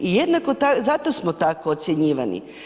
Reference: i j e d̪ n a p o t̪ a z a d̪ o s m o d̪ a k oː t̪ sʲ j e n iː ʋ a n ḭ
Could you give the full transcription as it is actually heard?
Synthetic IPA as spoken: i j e d̪ n a k o t̪ a z a t̪ o s m o t̪ a k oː t̪ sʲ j e ɲ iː ʋ a n ḭ